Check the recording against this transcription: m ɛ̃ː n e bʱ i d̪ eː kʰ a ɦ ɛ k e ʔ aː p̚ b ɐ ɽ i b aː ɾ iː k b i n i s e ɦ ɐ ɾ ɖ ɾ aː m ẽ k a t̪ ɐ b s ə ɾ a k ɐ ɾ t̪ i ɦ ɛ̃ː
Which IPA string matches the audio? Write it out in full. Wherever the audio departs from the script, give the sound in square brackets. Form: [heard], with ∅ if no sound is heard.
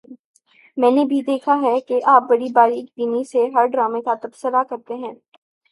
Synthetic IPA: m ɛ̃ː n e bʱ i d̪ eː kʰ a ɦ ɛ k e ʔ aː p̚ b ɐ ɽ i b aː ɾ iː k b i n i s e ɦ ɐ ɾ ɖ ɾ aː m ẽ k a t̪ ɐ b s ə ɾ a k ɐ ɾ t̪ [e] ɦ ɛ̃ː